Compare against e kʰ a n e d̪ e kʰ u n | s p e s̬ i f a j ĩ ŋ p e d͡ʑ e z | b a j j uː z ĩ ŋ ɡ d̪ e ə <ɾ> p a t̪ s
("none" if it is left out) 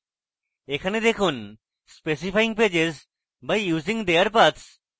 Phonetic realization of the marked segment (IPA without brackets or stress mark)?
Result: ɾ